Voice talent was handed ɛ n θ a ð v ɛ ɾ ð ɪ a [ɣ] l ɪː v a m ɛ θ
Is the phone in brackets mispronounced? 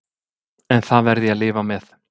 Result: yes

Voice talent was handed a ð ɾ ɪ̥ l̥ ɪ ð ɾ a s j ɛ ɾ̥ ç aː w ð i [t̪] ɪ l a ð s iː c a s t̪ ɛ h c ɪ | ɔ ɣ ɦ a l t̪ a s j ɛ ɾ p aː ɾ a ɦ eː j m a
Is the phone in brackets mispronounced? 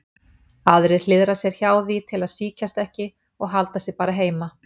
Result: yes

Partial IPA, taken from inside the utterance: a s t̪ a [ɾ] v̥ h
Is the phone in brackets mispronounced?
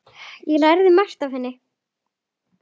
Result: yes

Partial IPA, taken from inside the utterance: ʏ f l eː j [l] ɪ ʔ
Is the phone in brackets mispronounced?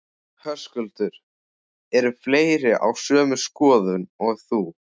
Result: yes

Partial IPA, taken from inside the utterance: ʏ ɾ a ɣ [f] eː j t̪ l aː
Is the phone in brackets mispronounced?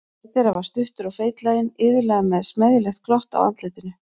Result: no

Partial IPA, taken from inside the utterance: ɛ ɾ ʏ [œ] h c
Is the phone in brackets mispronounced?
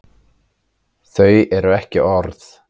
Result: yes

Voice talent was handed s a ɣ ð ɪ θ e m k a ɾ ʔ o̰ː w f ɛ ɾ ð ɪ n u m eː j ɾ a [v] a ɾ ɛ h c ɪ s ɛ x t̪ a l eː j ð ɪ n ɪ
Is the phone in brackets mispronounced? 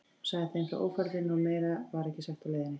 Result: no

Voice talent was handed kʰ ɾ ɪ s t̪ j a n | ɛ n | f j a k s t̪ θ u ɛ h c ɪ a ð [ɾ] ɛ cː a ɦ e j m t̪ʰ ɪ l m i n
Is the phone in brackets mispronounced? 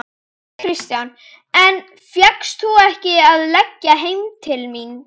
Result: yes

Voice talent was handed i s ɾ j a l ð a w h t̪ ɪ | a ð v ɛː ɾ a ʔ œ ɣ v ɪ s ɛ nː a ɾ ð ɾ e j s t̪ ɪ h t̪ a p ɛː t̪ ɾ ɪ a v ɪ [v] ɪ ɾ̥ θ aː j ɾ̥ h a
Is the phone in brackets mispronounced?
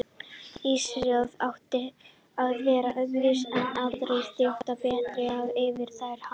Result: no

